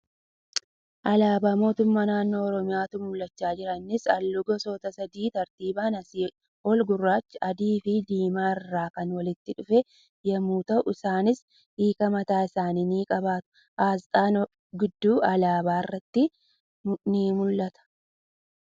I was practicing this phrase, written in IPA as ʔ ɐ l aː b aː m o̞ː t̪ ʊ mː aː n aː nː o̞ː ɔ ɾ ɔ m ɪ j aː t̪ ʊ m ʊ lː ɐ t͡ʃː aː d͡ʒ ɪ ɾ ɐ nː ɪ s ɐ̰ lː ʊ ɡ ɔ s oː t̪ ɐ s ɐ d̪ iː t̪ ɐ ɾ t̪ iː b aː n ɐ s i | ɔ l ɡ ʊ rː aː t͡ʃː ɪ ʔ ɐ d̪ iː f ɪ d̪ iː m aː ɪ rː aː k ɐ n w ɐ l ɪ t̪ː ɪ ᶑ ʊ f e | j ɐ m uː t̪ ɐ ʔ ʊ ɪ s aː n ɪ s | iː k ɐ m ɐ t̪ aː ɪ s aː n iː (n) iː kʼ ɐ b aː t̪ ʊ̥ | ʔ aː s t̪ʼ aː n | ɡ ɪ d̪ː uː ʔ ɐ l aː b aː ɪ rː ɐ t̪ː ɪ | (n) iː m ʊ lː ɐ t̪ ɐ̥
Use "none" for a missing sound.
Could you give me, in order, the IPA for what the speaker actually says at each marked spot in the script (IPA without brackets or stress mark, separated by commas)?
n, n